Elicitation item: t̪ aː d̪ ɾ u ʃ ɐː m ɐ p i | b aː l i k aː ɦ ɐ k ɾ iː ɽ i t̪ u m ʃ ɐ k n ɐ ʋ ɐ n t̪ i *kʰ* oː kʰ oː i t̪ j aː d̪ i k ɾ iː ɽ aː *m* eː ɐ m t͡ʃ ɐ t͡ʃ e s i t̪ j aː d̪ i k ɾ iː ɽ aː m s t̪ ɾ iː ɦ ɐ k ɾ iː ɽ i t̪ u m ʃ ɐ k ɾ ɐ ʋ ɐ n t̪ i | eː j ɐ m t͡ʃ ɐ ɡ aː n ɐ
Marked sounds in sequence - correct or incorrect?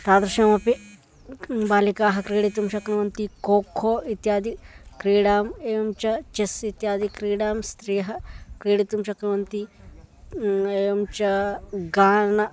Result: incorrect, correct

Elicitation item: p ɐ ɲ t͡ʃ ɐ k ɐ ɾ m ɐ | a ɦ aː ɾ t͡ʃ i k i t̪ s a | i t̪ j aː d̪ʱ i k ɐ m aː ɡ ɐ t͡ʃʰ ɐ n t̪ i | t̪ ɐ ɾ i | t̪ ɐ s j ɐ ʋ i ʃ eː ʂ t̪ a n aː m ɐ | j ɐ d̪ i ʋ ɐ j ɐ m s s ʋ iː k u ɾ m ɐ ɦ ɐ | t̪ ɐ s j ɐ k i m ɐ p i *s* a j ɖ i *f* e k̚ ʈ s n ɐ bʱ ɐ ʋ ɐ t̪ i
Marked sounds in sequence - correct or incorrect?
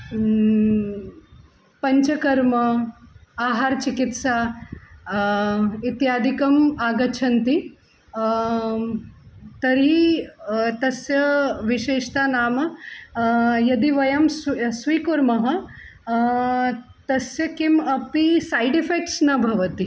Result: correct, correct

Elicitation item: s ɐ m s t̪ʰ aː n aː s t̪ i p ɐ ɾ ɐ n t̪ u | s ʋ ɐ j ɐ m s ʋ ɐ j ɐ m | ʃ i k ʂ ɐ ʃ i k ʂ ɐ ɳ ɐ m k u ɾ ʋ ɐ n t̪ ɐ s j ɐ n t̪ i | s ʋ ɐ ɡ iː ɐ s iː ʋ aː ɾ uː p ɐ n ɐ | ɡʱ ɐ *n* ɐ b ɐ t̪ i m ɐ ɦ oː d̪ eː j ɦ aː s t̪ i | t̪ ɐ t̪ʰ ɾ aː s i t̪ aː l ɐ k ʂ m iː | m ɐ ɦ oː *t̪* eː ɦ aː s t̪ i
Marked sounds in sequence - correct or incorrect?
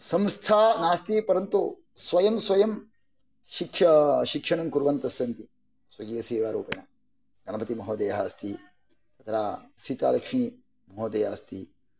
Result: correct, incorrect

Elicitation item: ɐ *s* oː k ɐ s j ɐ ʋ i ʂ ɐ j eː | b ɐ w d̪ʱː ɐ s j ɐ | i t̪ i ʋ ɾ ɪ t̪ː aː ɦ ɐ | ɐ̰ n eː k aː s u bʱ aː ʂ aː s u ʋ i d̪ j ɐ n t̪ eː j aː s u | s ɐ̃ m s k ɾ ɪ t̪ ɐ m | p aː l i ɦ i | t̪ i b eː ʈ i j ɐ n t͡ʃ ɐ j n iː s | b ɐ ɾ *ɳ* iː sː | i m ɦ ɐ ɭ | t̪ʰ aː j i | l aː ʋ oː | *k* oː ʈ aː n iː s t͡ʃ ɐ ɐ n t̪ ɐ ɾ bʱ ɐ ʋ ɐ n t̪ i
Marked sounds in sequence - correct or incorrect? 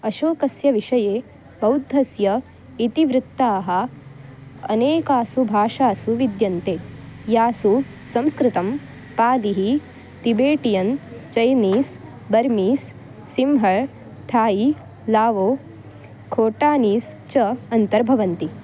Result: incorrect, incorrect, incorrect

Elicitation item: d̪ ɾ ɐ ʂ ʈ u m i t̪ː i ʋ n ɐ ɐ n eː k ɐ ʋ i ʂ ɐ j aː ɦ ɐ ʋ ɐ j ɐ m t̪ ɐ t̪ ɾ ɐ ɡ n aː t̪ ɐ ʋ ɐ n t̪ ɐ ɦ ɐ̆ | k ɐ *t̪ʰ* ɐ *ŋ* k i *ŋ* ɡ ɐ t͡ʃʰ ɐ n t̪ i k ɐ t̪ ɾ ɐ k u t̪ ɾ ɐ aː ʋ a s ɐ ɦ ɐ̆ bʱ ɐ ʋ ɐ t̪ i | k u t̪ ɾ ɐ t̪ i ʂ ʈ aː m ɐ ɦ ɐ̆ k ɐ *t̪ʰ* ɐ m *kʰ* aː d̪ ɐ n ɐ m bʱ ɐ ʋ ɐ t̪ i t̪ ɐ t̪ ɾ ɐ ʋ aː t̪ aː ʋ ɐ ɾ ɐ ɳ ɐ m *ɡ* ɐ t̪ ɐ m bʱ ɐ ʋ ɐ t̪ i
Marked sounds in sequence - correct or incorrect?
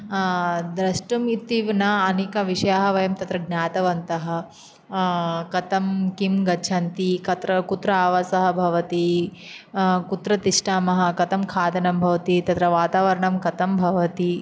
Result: incorrect, incorrect, incorrect, incorrect, correct, incorrect

